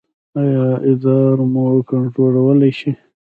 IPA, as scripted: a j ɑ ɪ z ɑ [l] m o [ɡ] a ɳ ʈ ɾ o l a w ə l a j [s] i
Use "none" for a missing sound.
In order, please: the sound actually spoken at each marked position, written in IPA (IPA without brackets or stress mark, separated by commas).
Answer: ɾ, k, ʃ